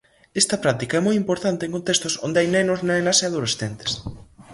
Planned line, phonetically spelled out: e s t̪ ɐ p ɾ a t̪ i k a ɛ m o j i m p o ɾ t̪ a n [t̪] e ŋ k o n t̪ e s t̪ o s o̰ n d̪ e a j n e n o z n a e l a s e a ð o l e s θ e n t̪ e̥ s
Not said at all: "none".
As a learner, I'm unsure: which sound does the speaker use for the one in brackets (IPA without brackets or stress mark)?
t̪